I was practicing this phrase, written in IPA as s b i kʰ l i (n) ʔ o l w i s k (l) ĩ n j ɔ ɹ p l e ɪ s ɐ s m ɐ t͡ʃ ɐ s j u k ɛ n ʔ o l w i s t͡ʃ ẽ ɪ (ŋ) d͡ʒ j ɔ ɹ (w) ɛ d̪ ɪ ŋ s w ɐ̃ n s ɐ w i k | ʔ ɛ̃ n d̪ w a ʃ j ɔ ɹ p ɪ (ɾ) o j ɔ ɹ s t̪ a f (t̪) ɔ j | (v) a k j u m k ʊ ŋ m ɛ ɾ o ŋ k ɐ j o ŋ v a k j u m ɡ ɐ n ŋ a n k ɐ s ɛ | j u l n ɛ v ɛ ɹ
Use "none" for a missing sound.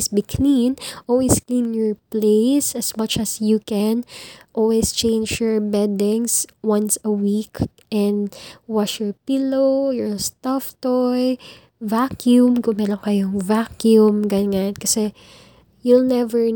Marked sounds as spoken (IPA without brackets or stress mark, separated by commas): n, l, n, b, l, t̪, v